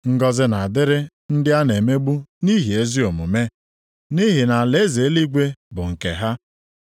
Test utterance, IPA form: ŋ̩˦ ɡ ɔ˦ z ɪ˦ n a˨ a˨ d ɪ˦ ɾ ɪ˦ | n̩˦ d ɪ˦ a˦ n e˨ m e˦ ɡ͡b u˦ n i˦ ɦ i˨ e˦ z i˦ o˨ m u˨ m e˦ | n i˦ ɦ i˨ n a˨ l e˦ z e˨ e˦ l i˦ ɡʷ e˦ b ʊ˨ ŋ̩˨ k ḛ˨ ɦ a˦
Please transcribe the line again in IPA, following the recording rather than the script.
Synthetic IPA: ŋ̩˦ ɡ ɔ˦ z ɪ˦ n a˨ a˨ d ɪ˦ ɾ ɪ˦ | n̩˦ d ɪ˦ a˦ n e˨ m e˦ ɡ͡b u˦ n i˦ ɦ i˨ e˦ z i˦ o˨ m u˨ m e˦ | n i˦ ɦ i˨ n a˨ l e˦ z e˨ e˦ l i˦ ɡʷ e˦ b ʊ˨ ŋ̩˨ k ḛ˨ ɦ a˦